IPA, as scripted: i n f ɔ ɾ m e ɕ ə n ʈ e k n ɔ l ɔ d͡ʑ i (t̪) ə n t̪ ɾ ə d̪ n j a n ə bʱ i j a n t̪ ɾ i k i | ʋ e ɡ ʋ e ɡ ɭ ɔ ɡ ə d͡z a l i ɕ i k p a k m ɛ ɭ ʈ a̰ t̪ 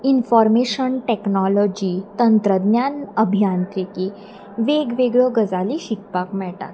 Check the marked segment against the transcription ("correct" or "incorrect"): correct